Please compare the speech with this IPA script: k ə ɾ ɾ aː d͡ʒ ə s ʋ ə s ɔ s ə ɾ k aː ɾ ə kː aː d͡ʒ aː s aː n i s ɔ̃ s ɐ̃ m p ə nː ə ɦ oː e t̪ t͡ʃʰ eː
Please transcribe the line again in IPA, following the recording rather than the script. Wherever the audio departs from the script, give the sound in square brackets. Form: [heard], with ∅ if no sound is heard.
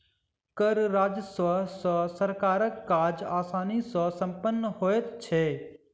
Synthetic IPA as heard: k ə ɾ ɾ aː d͡ʒ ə s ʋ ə s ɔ s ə ɾ k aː ɾ ə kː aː d͡ʒ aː s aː n i s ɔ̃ s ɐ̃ m p ə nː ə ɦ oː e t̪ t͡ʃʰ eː